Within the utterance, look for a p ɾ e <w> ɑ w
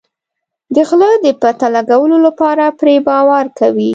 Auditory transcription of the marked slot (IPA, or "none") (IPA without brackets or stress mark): b